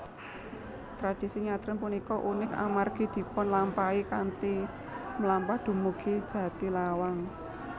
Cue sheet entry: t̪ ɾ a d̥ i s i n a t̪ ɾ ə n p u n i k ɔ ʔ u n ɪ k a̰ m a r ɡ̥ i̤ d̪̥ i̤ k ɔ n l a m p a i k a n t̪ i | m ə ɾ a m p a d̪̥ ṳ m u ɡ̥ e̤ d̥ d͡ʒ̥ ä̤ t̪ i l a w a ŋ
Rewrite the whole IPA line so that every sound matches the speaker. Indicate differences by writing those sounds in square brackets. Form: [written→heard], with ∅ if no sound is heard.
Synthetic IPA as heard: t̪ ɾ a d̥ i s i [n→ɲ] a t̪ ɾ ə n p u n i k ɔ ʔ u n ɪ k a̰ m a r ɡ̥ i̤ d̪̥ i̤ [k→p] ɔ n l a m p a i k a n t̪ i | m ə [ɾ→l] a m p a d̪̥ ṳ m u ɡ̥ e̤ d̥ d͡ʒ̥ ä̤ t̪ i l a w a ŋ